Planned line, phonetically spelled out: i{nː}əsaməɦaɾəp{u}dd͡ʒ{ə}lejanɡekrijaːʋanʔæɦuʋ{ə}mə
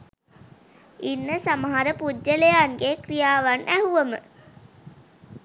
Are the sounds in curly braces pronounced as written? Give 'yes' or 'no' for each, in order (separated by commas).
yes, yes, yes, yes